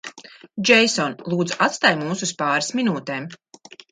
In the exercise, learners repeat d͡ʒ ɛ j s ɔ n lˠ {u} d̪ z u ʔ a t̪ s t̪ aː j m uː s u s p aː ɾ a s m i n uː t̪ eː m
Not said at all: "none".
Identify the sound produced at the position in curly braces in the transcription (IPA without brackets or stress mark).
uː